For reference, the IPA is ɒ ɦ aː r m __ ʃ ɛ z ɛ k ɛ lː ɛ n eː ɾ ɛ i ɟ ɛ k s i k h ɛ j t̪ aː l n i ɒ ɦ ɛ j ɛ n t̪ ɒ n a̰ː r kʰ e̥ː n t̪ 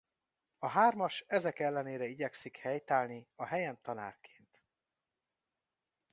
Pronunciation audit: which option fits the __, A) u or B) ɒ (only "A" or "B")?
B